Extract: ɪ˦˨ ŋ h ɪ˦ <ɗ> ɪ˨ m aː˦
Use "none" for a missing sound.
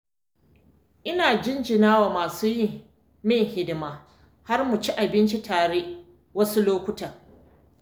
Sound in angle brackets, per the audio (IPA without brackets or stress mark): d